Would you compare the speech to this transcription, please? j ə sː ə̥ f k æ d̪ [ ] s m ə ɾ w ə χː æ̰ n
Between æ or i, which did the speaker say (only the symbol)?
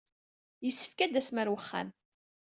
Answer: æ